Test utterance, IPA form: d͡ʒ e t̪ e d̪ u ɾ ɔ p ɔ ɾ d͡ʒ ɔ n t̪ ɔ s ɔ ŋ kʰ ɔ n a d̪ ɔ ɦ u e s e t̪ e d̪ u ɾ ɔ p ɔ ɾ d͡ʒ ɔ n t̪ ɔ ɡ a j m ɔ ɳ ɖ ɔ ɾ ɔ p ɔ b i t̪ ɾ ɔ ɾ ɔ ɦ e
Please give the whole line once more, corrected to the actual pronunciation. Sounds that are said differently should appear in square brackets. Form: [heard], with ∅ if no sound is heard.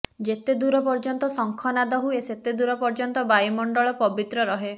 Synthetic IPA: d͡ʒ e t̪ e d̪ u ɾ ɔ p ɔ ɾ d͡ʒ ɔ n t̪ ɔ s ɔ ŋ kʰ ɔ n a d̪ ɔ ɦ u e s e t̪ e d̪ u ɾ ɔ p ɔ ɾ d͡ʒ ɔ n t̪ ɔ [b] a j m ɔ ɳ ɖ ɔ [ɭ] ɔ p ɔ b i t̪ ɾ ɔ ɾ ɔ ɦ e